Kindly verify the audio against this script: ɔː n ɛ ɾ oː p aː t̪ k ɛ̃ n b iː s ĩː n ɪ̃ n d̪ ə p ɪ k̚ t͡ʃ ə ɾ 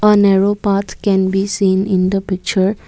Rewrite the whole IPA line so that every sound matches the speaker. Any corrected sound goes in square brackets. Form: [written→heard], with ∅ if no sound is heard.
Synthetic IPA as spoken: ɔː n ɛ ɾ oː p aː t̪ k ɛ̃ n b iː s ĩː n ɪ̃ n d̪ ə p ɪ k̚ t͡ʃ ə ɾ